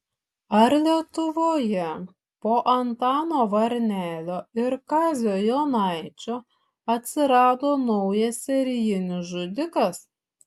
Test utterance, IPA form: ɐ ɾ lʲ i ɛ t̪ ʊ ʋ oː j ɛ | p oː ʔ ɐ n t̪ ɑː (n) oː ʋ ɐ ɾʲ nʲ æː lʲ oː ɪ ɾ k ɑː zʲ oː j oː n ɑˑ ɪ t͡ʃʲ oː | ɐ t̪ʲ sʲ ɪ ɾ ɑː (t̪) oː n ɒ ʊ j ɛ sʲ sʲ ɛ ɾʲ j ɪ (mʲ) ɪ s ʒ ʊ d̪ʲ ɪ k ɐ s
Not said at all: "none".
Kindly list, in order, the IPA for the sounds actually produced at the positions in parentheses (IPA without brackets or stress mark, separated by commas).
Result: n, d̪, nʲ